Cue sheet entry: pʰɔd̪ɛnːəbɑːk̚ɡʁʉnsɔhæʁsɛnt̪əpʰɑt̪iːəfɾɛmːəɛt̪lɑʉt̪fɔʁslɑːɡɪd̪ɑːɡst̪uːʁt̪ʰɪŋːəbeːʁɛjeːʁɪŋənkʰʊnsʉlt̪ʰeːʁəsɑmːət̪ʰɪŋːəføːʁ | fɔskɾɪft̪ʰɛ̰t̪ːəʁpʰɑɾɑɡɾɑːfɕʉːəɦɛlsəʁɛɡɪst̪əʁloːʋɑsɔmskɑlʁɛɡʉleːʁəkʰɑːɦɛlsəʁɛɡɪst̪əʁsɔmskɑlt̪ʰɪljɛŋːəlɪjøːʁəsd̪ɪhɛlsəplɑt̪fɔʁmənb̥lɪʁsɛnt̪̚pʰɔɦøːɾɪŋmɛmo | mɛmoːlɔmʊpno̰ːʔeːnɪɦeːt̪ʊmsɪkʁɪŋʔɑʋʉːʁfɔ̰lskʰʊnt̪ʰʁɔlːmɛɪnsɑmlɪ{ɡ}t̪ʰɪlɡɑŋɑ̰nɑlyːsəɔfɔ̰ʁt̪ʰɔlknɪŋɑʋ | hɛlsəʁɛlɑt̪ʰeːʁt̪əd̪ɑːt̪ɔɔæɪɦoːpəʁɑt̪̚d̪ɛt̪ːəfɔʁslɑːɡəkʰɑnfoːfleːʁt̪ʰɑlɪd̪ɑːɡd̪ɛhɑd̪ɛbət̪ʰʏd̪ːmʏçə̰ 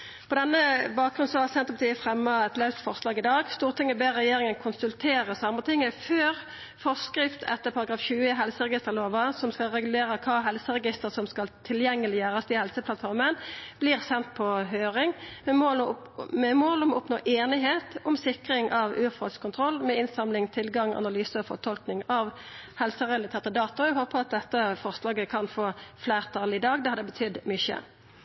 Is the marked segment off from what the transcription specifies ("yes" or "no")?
yes